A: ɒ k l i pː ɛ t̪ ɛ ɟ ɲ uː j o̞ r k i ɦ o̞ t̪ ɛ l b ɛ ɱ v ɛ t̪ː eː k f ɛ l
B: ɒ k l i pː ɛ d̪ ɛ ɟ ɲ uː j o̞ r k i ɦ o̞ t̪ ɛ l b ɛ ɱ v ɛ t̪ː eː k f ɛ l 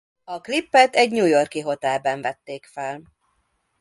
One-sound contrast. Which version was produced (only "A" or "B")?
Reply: A